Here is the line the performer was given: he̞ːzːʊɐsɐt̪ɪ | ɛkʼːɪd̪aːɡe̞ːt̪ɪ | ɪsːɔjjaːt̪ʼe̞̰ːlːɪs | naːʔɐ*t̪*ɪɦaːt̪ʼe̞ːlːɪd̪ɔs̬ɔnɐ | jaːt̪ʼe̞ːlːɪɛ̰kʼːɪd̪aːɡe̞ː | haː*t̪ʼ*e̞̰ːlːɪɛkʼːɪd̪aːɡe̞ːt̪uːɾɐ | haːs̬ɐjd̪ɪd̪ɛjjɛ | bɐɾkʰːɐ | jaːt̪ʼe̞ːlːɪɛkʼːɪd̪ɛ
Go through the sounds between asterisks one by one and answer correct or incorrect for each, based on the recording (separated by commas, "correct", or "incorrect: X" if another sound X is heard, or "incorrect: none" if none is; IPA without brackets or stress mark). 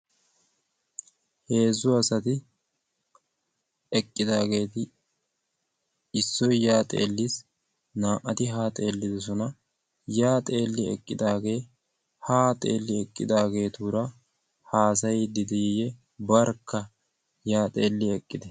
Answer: correct, correct